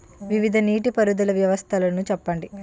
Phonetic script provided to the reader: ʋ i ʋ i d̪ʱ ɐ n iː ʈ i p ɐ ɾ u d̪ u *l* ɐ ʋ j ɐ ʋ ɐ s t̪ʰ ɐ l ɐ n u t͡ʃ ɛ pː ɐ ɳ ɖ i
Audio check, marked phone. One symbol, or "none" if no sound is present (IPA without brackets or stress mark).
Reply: l